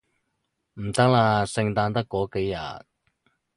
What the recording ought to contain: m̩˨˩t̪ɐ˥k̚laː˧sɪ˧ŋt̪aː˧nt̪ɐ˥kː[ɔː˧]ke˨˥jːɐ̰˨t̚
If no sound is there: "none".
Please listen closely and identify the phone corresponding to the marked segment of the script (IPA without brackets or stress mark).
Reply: ɔː˨˥